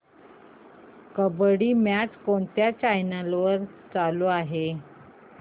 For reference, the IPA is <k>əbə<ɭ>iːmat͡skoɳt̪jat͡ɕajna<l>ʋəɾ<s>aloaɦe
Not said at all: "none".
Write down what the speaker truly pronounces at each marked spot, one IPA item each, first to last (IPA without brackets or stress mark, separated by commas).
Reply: k, ɽ, l, t͡s